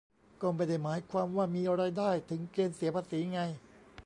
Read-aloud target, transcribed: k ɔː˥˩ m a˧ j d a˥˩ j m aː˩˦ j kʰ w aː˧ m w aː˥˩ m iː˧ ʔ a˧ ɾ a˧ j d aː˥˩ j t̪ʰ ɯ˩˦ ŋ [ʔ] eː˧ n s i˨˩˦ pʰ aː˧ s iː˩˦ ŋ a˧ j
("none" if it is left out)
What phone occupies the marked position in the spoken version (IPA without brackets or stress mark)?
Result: k